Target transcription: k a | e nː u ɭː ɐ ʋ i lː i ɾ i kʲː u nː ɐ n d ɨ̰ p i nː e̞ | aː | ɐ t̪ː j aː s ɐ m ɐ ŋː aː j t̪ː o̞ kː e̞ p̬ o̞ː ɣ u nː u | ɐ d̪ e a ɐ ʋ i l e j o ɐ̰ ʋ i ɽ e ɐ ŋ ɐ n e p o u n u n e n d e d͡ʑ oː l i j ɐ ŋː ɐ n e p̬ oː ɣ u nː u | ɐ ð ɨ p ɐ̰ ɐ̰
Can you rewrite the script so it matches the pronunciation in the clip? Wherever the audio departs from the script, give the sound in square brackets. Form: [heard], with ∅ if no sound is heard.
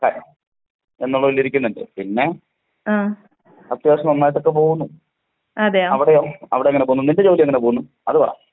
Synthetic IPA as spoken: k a | e nː u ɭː ɐ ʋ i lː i ɾ i kʲː u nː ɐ n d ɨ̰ p i nː e̞ | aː | ɐ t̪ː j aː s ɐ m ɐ [nː] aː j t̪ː o̞ kː e̞ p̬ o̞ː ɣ u nː u | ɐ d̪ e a ɐ ʋ i [ɽ] e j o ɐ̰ ʋ i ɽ e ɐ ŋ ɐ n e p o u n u n [i] n d e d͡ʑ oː l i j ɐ ŋː ɐ n e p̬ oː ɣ u nː u | ɐ ð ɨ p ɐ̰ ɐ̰